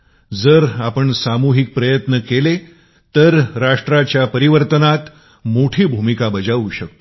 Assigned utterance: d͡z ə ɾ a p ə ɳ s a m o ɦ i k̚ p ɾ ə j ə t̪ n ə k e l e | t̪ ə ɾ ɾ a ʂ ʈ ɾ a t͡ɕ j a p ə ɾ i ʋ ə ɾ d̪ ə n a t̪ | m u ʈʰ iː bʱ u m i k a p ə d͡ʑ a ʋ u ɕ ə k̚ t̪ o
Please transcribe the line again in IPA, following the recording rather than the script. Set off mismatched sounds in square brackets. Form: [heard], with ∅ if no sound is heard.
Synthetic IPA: d͡z ə ɾ a p ə ɳ s a m [u] ɦ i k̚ p ɾ ə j ə t̪ n ə k e l e | t̪ ə ɾ ɾ a ʂ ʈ ɾ a t͡ɕ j a p ə ɾ i ʋ ə ɾ [t̪] ə n a t̪ | m [o] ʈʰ iː bʱ u m i k a [b] ə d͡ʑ a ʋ u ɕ ə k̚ t̪ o